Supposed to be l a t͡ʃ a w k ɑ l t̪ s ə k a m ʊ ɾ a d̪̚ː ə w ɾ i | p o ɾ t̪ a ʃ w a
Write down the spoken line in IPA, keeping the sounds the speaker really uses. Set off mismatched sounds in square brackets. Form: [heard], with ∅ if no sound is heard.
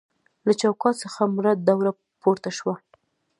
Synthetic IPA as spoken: l a t͡ʃ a w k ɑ [∅] t̪ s ə [x] a m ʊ ɾ a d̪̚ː [a] w ɾ [a] | p o ɾ t̪ a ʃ w a